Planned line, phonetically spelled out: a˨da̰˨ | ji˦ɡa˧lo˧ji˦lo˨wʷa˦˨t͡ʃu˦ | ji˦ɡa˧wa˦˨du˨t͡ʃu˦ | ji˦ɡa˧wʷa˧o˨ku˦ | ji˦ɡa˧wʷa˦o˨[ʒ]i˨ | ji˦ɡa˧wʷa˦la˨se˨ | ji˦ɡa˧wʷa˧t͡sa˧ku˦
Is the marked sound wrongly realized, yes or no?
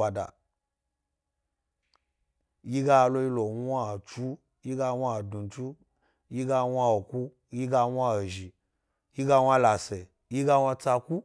no